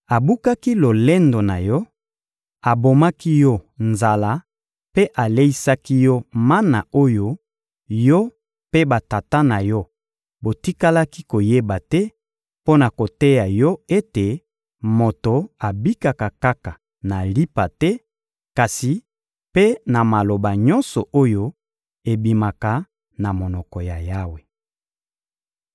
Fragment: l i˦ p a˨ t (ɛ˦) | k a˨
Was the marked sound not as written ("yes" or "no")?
no